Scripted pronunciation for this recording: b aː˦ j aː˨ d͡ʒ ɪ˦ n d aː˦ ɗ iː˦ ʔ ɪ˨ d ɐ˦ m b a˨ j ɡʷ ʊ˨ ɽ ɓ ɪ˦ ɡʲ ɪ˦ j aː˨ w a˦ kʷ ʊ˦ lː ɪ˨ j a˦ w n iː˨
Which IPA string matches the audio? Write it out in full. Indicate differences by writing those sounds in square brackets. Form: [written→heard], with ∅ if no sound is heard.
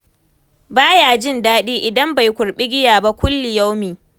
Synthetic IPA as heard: b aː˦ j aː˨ d͡ʒ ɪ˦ n d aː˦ ɗ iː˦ ʔ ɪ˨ d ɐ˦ m b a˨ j [ɡʷ→kʷ] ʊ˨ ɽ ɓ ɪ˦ ɡʲ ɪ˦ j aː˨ [w→b] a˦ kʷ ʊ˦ lː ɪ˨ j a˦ w [n→m] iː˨